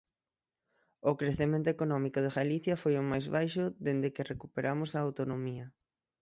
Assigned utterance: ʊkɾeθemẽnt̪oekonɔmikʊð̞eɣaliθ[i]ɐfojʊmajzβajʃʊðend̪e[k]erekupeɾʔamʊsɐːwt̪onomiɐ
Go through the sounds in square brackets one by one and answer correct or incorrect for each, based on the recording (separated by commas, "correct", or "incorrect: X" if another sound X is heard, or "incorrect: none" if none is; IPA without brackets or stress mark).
incorrect: j, correct